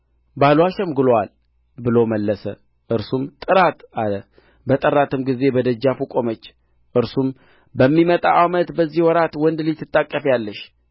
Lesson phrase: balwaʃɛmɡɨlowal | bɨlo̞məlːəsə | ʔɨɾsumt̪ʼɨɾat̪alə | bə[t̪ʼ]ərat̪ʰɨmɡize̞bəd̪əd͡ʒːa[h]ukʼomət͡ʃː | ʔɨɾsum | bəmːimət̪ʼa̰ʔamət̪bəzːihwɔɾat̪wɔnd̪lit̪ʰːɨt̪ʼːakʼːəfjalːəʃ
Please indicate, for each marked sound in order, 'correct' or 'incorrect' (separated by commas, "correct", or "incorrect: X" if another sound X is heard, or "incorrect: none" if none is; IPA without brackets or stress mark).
correct, incorrect: f